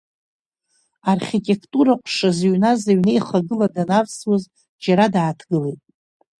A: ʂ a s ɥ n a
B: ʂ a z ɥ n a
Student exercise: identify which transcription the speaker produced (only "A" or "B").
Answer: B